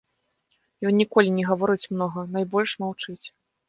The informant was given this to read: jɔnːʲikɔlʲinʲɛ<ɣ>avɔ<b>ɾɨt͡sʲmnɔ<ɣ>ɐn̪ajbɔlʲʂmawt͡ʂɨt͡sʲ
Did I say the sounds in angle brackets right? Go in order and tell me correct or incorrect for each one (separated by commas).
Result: correct, incorrect, correct